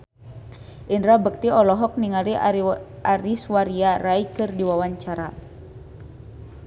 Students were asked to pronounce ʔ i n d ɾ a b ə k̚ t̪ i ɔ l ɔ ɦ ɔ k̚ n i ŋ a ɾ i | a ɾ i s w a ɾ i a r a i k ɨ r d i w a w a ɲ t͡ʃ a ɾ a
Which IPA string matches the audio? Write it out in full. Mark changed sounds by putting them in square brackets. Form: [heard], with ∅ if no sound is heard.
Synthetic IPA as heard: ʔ i n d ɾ a b ə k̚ t̪ i ɔ l ɔ ɦ ɔ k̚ n i ŋ a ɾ i | a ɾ i s w a ɾ i a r a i k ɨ r d i w a w a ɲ t͡ʃ a ɾ a